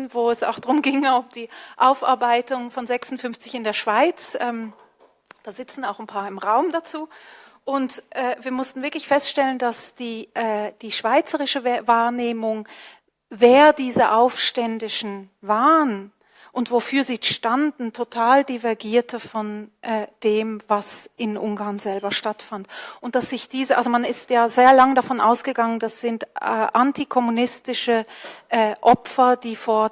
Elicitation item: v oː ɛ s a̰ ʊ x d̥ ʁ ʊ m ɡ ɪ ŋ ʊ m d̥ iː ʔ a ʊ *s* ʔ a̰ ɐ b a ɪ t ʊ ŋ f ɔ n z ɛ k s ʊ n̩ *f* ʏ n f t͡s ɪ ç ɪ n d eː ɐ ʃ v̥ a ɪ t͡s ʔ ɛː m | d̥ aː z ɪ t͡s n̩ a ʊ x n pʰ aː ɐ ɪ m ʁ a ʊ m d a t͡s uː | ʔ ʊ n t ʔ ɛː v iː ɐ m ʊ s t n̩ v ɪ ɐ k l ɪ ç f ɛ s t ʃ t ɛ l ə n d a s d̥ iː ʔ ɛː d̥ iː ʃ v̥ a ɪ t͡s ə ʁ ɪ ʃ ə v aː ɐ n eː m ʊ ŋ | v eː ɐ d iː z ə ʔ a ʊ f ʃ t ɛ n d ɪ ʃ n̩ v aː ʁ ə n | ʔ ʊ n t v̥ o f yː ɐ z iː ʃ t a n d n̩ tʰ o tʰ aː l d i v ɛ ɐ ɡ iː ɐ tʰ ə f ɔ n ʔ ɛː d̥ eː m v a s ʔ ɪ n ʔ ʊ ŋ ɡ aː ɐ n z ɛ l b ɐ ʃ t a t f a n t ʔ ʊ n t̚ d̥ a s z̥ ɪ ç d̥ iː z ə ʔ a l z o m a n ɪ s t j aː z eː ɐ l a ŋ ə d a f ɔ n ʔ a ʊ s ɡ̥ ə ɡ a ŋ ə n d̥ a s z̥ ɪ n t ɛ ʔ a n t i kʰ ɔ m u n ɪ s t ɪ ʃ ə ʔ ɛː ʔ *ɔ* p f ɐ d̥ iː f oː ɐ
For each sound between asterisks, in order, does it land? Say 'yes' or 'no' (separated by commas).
no, yes, yes